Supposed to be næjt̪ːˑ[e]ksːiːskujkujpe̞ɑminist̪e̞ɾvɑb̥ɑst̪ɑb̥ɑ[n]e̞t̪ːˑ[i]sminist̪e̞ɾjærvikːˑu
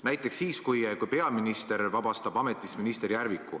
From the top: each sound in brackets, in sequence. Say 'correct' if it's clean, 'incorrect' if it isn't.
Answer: correct, incorrect: m, correct

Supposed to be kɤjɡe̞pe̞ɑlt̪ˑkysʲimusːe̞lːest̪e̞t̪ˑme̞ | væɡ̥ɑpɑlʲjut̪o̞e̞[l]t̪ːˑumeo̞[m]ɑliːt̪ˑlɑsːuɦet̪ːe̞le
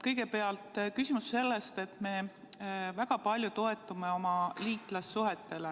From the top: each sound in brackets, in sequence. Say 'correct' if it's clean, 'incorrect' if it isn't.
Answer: incorrect: none, correct

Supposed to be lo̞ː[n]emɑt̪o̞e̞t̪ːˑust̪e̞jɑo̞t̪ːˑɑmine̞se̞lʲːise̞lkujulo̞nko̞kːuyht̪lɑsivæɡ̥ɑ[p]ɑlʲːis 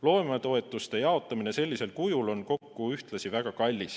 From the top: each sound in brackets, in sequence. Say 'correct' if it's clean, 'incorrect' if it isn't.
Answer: incorrect: none, incorrect: k

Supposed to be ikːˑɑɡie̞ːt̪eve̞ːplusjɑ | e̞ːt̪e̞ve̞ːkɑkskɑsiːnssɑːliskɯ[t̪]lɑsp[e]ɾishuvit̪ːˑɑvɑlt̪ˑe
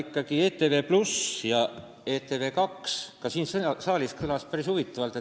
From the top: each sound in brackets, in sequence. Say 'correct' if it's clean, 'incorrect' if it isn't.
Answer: incorrect: none, incorrect: æ

